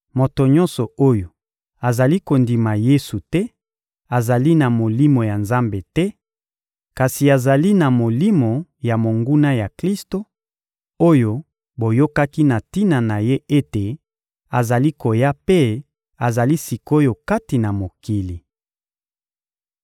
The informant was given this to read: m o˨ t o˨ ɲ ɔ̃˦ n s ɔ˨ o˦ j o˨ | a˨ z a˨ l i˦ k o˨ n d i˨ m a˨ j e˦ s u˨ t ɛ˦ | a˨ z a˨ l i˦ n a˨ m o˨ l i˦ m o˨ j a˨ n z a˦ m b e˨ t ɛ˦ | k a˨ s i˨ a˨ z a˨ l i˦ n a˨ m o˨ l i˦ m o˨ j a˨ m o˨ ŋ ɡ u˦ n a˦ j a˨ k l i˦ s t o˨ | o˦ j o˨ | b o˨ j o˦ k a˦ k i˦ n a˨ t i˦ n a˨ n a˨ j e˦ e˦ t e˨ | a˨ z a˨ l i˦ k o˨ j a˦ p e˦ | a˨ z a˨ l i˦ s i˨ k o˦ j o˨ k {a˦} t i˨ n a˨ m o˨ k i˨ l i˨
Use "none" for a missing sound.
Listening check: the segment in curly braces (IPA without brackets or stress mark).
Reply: a˦